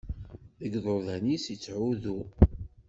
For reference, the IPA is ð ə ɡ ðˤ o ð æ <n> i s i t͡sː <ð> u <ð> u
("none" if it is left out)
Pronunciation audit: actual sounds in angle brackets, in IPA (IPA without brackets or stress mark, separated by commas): n, ʕ, ð